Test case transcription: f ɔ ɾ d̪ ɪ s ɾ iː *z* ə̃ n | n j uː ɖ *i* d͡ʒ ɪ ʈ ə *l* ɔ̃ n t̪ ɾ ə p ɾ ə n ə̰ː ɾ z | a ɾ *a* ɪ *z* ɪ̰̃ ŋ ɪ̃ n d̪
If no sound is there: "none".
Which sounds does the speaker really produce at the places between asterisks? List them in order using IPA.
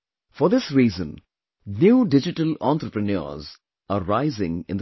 z, ɪ, l, a, z

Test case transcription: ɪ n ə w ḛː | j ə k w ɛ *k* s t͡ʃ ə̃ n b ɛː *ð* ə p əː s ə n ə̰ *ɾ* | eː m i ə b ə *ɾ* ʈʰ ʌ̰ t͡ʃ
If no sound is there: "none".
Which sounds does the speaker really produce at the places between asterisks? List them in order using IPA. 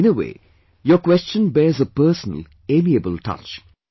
none, z, l, l

